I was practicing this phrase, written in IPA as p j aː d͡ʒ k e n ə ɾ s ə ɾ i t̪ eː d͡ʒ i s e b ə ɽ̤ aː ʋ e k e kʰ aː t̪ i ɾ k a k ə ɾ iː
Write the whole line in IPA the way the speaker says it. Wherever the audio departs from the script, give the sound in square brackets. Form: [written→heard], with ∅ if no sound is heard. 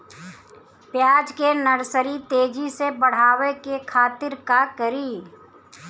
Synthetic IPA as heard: p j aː d͡ʒ k e n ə ɾ s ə ɾ i t̪ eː d͡ʒ i s e b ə ɽ̤ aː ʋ e k e kʰ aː t̪ [i→ɪ] ɾ k a k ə ɾ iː